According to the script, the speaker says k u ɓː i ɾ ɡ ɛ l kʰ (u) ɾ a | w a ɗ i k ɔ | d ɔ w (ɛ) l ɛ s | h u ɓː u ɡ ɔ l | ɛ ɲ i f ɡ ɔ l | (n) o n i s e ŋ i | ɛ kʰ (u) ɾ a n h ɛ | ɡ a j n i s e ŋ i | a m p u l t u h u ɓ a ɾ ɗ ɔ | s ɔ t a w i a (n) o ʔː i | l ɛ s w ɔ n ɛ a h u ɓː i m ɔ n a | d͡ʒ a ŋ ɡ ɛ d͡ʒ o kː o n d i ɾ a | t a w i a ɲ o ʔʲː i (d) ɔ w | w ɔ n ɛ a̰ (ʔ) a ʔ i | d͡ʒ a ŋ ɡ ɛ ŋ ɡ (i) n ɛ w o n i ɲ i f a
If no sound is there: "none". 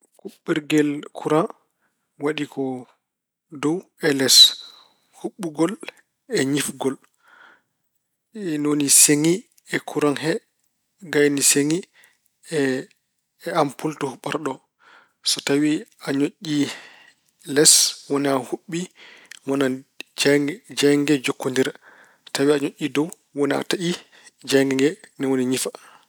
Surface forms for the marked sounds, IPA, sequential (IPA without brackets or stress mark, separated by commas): u, ɛ, n, u, ɲ, d, t, ɛ